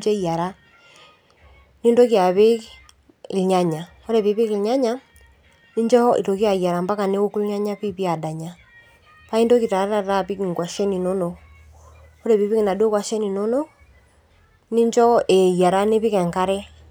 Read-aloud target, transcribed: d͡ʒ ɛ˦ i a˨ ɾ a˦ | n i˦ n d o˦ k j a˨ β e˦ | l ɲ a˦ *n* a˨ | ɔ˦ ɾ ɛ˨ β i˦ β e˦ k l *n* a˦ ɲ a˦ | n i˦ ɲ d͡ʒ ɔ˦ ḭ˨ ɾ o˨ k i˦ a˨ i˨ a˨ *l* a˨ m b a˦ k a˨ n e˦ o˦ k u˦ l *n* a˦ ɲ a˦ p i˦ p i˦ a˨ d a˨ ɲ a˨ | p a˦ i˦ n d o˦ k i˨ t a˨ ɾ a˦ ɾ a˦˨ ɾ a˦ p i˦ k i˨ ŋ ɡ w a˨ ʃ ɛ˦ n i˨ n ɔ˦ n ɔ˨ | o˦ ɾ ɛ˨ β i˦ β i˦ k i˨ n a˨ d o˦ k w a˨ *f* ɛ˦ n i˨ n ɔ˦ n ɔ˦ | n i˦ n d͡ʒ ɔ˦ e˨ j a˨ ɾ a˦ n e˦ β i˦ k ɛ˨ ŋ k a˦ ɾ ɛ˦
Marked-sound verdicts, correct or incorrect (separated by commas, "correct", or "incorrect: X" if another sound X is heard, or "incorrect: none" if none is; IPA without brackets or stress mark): incorrect: ɲ, incorrect: ɲ, incorrect: ɾ, incorrect: ɲ, incorrect: ʃ